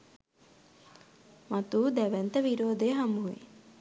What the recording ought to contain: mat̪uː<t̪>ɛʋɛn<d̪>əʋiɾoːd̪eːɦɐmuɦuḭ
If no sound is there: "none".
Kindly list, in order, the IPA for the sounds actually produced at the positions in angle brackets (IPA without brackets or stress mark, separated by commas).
d̪, t̪